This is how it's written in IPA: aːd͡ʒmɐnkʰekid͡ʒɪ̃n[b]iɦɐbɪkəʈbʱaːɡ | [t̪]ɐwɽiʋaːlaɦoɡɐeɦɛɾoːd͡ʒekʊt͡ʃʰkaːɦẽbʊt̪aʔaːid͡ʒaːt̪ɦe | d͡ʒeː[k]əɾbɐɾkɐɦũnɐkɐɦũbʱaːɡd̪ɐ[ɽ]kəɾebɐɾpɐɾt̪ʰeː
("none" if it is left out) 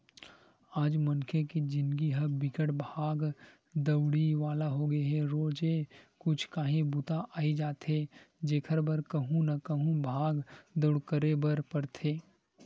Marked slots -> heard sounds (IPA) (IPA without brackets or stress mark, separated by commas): ɡ, d̪, kʰ, ɽ